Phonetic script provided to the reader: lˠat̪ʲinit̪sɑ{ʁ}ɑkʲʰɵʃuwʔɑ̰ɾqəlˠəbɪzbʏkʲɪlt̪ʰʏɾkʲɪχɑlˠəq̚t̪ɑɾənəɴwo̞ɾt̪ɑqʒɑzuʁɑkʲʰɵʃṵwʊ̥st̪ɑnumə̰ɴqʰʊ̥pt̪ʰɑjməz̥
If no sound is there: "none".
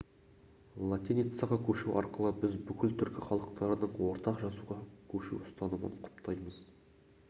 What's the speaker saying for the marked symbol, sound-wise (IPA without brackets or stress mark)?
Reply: ʁ